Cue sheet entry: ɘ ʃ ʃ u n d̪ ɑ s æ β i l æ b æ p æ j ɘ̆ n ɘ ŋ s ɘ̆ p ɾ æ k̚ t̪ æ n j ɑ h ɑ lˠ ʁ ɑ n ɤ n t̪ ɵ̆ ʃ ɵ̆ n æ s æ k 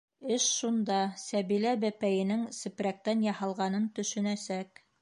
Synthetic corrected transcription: ɘ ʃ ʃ u n d̪ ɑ s æ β i l æ b æ p æ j ɘ̆ n ɘ ŋ s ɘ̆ p ɾ æ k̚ t̪ æ n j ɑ h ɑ lˠ ʁ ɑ n ɤ n t̪ ɵ̆ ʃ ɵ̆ n æ s æ k